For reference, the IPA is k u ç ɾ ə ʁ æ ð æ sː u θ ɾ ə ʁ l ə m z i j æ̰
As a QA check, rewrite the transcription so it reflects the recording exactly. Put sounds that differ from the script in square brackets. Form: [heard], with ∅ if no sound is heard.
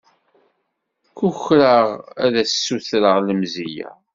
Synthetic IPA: k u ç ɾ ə ʁ æ ð æ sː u θ ɾ ə ʁ l ə m z i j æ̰

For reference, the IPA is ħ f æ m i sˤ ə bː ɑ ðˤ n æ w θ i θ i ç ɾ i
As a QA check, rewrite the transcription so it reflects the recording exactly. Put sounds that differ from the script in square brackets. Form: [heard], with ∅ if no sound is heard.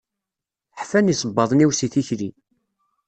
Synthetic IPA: ħ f æ [n] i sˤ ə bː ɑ ðˤ n [i] w [s] i θ i ç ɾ i

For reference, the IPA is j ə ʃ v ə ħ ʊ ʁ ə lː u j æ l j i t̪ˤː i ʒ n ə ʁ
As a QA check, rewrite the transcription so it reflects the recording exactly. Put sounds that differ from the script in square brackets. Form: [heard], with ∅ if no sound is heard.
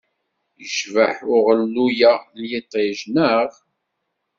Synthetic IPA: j ə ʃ v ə ħ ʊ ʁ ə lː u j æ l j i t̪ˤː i ʒ n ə ʁ

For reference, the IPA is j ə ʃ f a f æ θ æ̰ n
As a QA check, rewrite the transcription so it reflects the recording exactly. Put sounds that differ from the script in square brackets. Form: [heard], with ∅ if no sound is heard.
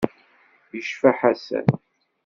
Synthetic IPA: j ə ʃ f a [ħ] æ [s] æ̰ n

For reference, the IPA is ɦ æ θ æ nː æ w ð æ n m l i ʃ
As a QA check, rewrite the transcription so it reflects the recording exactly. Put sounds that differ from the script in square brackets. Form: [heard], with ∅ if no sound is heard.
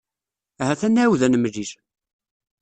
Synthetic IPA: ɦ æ θ æ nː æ w ð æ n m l i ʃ

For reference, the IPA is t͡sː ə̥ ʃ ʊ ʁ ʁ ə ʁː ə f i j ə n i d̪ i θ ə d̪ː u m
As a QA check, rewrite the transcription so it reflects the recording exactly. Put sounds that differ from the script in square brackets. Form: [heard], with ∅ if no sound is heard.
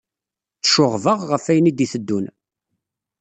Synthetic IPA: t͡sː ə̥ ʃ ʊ ʁ [v] ə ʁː ə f [æ] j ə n i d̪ i θ ə d̪ː u [n]

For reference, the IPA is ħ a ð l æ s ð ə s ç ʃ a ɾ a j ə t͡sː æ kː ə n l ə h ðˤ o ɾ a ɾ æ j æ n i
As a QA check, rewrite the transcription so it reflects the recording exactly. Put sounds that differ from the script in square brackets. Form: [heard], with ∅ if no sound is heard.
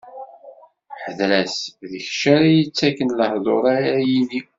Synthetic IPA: ħ [ə] ð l æ s ð ə [∅] ç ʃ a ɾ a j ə t͡sː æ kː ə n l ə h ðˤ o ɾ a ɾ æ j [i] n i

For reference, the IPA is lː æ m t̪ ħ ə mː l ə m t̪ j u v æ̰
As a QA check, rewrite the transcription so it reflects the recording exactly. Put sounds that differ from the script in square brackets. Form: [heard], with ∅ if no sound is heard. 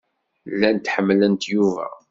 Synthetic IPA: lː æ [n] t̪ ħ ə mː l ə [n] t̪ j u v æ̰

